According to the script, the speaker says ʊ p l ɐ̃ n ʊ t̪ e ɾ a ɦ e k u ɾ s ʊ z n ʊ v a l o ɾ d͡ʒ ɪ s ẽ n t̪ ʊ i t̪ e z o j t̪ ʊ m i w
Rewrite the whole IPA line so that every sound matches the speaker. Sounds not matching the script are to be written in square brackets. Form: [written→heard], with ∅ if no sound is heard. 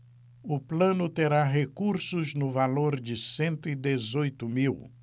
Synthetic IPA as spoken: ʊ p l ɐ̃ n ʊ t̪ e ɾ a ɦ e k u ɾ s ʊ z n ʊ v a l o ɾ d͡ʒ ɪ s ẽ n t̪ ʊ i [t̪→d̪] e z o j t̪ ʊ m i w